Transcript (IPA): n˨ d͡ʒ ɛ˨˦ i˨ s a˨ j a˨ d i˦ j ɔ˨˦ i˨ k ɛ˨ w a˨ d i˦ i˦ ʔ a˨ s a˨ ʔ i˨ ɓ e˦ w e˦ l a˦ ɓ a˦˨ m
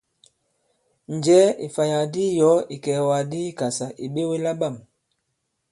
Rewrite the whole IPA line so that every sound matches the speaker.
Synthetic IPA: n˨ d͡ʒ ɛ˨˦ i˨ f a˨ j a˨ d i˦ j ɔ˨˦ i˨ k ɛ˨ w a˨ d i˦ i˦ k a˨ s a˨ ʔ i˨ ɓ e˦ w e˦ l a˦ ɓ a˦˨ m